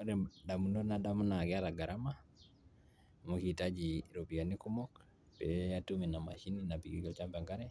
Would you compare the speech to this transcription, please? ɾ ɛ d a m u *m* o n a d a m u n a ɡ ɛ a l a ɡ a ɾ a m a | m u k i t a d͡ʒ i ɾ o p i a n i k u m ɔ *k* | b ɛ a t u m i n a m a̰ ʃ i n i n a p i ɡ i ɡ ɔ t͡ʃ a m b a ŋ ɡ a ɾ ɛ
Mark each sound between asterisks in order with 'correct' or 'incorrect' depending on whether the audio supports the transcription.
incorrect, correct

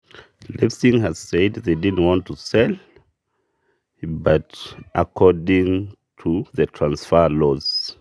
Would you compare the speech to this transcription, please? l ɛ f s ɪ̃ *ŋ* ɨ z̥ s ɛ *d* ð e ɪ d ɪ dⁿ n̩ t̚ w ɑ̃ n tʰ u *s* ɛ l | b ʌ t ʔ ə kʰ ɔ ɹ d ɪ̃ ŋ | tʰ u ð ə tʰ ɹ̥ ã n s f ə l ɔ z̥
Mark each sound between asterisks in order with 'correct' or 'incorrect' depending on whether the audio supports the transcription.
correct, correct, correct

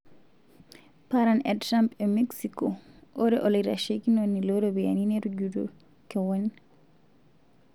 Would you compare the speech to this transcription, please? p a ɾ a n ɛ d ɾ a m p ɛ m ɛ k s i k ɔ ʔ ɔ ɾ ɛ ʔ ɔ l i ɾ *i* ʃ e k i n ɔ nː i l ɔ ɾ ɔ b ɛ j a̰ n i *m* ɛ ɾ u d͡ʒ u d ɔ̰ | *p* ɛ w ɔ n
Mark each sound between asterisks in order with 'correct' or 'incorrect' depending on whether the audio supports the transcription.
incorrect, incorrect, incorrect

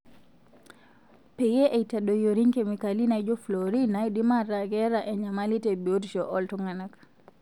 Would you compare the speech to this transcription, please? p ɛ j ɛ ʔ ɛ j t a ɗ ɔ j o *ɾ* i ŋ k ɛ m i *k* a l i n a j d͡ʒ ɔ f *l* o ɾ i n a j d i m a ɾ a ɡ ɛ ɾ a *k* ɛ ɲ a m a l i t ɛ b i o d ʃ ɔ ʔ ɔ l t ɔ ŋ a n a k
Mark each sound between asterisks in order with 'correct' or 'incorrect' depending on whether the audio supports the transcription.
correct, correct, correct, incorrect

